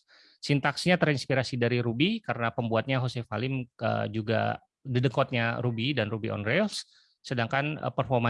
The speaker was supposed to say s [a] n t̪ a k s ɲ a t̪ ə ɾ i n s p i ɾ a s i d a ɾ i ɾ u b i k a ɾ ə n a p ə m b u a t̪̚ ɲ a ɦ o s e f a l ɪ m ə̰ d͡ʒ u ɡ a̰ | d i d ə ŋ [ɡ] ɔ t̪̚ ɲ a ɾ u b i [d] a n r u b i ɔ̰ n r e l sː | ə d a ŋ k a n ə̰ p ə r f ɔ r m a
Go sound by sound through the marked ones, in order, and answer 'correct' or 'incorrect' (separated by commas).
incorrect, incorrect, correct